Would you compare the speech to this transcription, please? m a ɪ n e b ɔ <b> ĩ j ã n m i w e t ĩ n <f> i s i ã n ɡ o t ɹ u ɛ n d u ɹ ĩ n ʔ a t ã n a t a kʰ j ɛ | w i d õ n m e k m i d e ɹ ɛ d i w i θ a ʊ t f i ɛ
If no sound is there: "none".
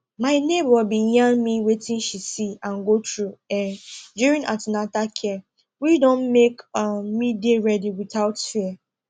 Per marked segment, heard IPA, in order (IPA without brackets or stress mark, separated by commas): b, ʃ